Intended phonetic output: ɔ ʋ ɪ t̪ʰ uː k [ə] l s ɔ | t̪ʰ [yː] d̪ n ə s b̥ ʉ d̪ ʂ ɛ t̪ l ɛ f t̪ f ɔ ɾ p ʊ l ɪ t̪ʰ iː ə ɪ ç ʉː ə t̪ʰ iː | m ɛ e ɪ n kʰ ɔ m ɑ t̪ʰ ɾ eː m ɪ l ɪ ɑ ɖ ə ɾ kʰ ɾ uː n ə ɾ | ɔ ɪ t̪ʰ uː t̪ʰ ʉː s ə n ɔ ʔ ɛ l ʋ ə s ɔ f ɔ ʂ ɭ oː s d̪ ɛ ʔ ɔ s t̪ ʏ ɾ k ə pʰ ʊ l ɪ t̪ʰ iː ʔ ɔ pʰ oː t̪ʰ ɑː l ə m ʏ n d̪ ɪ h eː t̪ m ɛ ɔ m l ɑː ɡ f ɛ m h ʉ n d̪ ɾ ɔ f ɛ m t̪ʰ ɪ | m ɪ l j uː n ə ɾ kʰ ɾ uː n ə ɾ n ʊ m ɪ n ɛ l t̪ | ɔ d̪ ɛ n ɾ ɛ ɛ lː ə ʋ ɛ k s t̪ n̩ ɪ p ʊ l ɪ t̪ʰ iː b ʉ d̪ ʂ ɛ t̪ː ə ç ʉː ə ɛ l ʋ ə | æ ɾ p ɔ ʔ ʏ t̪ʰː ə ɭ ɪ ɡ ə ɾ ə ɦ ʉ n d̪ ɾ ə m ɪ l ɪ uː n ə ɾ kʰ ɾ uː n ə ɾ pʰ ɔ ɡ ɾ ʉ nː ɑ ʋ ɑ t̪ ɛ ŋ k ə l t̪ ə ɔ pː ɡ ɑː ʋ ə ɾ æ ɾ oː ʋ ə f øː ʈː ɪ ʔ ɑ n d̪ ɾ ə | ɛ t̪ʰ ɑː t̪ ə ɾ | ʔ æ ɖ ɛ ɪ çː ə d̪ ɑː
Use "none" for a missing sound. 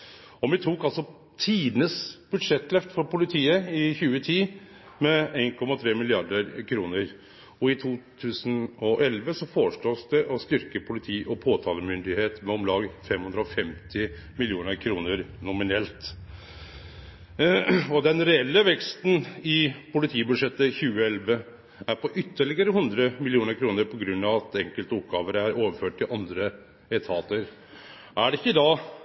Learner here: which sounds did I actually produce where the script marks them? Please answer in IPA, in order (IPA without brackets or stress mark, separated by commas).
ɑ, iː